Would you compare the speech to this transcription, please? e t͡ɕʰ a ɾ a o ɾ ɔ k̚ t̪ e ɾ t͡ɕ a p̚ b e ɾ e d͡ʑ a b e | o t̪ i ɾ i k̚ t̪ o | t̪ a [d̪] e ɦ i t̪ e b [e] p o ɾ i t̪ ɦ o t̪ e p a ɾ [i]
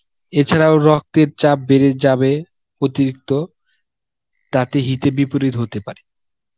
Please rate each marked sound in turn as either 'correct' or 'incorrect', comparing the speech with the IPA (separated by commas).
incorrect, incorrect, incorrect